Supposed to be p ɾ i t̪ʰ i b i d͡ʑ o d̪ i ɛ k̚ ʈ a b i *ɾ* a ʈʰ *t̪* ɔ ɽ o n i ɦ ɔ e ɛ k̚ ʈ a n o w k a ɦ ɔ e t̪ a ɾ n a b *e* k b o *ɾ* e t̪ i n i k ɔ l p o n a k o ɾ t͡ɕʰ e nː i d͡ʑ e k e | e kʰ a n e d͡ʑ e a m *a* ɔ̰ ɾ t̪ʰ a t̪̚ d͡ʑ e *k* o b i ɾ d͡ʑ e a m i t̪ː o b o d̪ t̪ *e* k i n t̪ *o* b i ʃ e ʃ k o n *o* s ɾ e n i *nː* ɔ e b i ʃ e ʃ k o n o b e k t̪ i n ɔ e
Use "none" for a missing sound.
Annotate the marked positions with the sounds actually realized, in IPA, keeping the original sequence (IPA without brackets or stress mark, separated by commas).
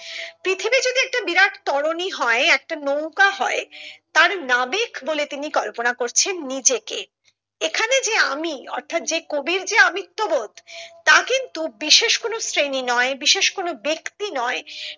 ɾ, t̪, e, l, i, k, a, u, o, n